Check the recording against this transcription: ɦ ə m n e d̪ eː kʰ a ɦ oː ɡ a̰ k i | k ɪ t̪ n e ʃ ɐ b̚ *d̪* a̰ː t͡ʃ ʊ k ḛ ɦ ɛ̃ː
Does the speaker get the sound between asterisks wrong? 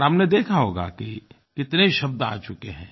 no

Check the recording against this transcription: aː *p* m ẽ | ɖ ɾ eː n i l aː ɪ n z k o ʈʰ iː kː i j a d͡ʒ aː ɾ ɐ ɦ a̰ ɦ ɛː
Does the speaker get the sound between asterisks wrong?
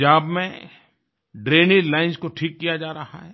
yes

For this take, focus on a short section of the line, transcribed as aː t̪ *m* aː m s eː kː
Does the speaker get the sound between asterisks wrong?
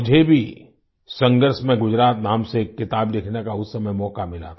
yes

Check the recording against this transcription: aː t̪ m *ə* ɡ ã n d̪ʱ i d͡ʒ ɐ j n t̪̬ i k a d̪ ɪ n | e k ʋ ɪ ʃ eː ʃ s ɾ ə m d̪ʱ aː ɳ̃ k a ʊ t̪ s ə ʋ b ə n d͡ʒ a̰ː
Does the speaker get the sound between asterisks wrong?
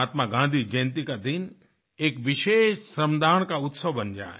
yes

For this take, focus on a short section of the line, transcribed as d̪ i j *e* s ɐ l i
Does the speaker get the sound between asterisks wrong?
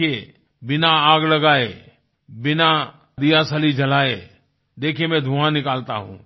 yes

